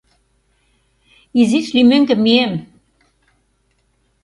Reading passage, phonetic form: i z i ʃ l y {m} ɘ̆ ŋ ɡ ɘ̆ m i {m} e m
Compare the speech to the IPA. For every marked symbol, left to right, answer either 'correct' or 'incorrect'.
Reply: correct, incorrect: none

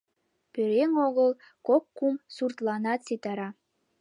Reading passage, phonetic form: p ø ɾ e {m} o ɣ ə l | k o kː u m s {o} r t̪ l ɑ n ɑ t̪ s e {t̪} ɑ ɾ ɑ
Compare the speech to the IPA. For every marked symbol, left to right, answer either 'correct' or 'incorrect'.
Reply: incorrect: ŋ, incorrect: u, correct

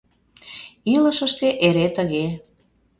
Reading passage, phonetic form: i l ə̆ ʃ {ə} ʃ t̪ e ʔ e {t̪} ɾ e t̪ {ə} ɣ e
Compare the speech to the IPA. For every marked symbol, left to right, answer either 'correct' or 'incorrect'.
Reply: correct, incorrect: none, correct

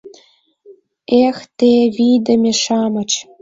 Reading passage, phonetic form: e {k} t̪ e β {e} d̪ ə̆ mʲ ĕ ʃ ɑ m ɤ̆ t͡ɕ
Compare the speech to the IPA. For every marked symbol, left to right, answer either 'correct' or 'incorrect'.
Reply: incorrect: x, incorrect: i

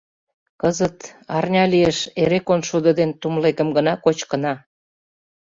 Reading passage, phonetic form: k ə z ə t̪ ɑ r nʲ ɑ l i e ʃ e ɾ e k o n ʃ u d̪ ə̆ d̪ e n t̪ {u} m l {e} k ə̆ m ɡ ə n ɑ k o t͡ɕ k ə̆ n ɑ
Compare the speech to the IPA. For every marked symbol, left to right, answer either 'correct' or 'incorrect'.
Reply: correct, correct

